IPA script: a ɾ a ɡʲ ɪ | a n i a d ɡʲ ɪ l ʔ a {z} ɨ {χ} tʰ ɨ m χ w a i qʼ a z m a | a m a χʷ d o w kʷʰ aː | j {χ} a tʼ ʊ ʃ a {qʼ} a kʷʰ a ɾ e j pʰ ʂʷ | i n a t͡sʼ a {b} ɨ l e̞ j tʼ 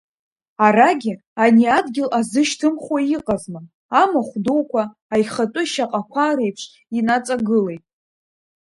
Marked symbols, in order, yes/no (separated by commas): yes, no, yes, yes, no